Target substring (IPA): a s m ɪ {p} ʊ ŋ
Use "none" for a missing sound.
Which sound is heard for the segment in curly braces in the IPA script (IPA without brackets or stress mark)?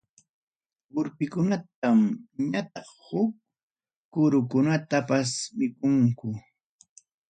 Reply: k